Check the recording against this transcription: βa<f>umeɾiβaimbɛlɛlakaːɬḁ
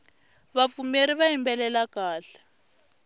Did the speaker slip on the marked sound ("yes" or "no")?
no